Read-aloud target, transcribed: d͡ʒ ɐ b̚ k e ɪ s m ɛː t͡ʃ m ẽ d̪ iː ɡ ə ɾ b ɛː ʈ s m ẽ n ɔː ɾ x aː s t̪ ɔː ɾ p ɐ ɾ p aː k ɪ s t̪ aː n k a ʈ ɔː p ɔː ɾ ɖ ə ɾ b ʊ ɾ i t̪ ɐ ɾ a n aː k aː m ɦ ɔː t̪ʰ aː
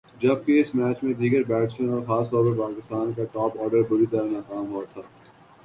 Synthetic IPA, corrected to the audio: d͡ʒ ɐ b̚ k e ɪ s m ɛː t͡ʃ m ẽ d̪ iː ɡ ə ɾ b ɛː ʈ s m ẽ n ɔː ɾ x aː s t̪ ɔː ɾ p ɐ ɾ p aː k ɪ s t̪ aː n k a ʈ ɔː p ɔː ɾ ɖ ə ɾ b ʊ ɾ i t̪ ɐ ɾ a n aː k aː m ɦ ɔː t̪ʰ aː